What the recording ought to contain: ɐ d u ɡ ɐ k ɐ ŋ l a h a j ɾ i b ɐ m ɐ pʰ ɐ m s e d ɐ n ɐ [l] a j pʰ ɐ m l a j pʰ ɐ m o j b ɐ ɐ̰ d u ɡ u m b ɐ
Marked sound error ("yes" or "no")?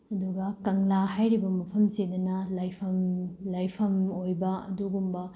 no